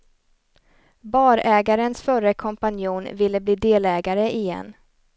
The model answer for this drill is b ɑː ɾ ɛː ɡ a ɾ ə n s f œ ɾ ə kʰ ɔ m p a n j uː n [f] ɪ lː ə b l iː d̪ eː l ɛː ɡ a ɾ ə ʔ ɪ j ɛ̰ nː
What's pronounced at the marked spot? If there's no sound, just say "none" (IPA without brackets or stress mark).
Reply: v